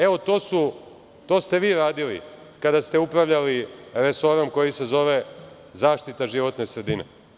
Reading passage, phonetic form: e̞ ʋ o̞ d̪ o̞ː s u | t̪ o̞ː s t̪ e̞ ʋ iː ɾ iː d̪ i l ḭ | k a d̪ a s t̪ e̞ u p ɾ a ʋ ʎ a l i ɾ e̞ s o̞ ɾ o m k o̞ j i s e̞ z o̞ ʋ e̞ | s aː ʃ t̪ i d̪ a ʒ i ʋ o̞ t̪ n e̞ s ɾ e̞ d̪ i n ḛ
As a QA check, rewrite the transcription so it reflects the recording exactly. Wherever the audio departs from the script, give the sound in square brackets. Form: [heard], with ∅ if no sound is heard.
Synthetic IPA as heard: e̞ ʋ o̞ [t̪] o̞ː s u | t̪ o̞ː s t̪ e̞ ʋ iː ɾ [aː] d̪ i l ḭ | k a d̪ a s t̪ e̞ u p ɾ a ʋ ʎ a l i ɾ e̞ s o̞ ɾ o m k o̞ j i s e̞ z o̞ ʋ e̞ | [z] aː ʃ t̪ i [t̪] a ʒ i ʋ o̞ t̪ n e̞ s ɾ e̞ d̪ i n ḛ